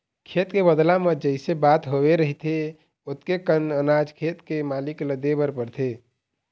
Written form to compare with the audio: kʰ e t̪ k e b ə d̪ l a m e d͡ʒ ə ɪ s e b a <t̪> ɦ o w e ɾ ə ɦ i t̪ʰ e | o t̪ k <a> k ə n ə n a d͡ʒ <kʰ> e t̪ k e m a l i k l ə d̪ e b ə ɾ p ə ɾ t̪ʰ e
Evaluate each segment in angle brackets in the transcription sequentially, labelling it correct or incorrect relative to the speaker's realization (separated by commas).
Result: correct, incorrect, correct